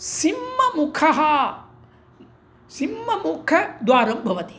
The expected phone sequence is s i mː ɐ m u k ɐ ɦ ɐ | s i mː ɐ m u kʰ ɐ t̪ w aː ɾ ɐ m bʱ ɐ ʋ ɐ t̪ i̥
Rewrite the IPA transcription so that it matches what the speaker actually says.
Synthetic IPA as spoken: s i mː ɐ m u kʰ ɐ ɦ ɐ | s i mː ɐ m u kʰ ɐ d̪ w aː ɾ ɐ m bʱ ɐ ʋ ɐ t̪ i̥